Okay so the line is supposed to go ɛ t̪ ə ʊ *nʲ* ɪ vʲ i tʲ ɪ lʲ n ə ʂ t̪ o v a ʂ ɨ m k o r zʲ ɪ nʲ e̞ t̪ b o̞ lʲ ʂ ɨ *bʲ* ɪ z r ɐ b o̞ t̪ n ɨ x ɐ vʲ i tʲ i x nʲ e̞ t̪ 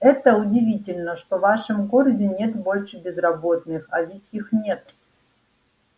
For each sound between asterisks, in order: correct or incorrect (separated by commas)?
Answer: incorrect, correct